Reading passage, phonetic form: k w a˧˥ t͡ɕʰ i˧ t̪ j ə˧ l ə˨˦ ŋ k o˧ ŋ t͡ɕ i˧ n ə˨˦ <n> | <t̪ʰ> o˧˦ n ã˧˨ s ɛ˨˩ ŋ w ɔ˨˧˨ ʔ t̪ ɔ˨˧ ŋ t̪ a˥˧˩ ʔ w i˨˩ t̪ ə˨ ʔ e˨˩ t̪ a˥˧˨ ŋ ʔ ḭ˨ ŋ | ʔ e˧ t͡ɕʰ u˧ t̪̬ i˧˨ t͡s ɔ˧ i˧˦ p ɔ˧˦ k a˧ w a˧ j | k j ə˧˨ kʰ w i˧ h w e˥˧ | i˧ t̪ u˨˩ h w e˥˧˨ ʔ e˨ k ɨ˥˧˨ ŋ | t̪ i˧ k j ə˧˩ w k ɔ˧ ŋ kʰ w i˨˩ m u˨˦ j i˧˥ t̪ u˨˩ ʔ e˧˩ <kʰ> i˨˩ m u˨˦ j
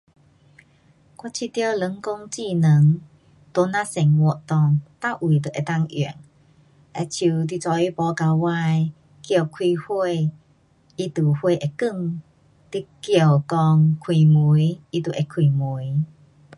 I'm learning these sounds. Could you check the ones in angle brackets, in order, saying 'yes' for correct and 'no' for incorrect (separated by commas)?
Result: no, no, yes